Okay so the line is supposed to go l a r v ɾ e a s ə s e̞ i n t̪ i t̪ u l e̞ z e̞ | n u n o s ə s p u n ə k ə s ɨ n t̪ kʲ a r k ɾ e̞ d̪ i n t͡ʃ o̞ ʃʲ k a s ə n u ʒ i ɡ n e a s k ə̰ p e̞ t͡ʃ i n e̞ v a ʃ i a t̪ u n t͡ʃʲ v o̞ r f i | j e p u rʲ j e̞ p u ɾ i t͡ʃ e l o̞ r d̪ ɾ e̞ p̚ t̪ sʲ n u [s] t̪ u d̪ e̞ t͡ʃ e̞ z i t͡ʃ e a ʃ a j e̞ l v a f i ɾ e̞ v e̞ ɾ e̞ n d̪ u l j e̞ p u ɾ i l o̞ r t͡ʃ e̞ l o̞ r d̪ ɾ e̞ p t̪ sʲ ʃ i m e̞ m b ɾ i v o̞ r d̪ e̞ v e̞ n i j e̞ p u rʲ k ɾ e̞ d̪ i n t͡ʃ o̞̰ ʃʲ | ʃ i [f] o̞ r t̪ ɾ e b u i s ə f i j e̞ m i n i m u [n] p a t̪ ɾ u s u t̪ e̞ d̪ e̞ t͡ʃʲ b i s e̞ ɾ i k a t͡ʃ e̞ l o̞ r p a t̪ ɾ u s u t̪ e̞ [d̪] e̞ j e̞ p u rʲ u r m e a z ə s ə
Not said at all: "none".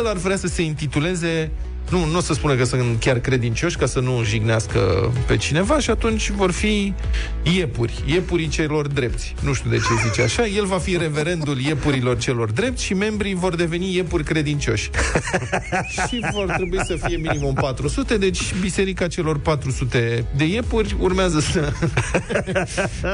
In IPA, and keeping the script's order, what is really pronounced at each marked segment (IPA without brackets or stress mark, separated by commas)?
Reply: ʃ, v, m, d̪